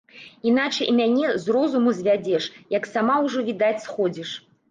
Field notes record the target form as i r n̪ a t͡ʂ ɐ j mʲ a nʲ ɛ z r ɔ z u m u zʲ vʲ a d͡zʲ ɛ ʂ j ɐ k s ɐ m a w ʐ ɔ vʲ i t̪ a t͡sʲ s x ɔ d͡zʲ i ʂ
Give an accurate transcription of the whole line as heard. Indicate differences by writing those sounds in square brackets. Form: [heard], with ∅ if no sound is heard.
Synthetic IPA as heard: i [∅] n̪ a t͡ʂ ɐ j mʲ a nʲ ɛ z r ɔ z u m u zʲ vʲ a d͡zʲ ɛ ʂ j ɐ k s [a] m a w ʐ ɔ vʲ i [d̪] a t͡sʲ s x ɔ d͡zʲ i ʂ